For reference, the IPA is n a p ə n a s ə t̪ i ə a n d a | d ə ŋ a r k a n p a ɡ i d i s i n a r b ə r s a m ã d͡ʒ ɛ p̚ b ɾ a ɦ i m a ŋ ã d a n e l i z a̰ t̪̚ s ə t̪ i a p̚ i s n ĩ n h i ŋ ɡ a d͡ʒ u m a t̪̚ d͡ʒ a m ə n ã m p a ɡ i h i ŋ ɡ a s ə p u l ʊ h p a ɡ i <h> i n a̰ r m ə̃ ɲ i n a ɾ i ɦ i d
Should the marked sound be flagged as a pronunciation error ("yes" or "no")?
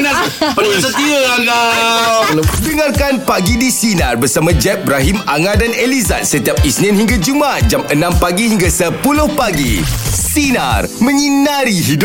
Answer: yes